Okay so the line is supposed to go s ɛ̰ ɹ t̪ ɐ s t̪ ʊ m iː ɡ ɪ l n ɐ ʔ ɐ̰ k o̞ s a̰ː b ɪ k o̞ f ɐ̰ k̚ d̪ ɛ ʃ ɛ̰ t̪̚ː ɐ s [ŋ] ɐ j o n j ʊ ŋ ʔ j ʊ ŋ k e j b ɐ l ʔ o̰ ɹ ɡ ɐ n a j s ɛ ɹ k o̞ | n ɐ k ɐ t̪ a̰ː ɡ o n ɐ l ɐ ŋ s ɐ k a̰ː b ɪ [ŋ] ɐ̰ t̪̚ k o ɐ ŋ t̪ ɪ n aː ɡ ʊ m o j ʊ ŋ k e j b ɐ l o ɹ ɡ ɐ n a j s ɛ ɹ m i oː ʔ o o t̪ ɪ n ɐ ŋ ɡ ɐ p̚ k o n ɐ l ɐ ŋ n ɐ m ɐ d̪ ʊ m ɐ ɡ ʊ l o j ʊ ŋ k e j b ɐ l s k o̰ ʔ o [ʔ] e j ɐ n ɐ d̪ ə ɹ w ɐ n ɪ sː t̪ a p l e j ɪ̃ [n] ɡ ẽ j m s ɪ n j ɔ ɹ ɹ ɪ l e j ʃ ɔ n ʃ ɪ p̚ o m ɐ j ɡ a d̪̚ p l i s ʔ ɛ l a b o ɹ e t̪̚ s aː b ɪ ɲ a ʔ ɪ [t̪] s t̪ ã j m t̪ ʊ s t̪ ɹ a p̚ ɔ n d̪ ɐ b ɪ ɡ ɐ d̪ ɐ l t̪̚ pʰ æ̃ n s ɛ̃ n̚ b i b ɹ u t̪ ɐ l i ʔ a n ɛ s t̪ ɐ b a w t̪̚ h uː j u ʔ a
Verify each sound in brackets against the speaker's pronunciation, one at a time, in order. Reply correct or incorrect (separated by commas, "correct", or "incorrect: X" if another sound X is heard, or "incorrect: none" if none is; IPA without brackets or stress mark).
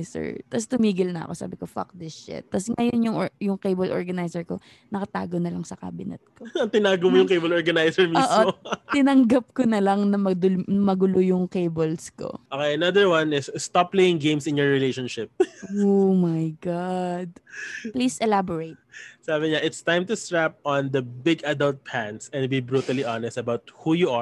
correct, incorrect: n, incorrect: k, incorrect: ŋ, correct